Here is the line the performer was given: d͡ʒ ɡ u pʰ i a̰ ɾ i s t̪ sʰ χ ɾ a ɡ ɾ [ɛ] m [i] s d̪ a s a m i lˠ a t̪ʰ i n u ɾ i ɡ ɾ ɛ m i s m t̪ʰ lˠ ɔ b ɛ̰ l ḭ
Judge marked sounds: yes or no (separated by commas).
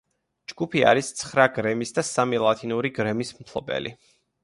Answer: yes, yes